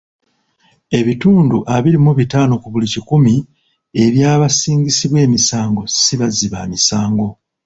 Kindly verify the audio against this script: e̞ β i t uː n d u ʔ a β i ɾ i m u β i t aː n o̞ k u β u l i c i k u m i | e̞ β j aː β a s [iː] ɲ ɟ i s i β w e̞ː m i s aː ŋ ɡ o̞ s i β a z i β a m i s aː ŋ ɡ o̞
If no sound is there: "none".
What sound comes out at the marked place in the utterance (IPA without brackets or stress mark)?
iː